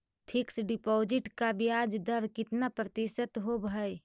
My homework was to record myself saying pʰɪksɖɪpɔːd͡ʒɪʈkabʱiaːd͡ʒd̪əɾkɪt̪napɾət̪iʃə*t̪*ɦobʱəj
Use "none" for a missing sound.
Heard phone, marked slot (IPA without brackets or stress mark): t̪